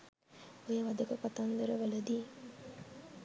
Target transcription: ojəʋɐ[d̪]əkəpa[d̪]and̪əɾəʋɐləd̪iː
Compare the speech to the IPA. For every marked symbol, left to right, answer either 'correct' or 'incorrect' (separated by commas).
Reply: correct, incorrect